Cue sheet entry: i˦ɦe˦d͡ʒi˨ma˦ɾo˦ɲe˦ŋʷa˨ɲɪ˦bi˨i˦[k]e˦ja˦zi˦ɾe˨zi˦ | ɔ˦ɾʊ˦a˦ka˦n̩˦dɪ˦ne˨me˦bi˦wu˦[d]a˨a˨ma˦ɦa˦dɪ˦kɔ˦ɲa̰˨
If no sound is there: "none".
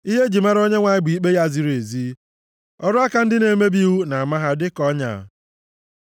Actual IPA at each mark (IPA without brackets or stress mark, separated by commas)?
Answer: k͡p, n